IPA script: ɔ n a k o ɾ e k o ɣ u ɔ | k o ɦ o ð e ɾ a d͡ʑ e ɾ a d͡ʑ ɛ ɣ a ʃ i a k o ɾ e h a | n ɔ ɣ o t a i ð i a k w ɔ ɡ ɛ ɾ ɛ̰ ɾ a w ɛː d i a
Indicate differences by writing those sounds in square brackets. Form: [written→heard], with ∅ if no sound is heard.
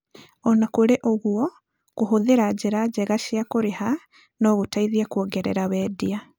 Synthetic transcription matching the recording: ɔ n a k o ɾ e [k→ʔ] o ɣ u ɔ | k o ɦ o ð e ɾ a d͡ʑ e ɾ a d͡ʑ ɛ ɣ a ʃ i a k o ɾ e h a | n ɔ ɣ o t a i ð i a k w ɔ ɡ ɛ ɾ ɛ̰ ɾ a w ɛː d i a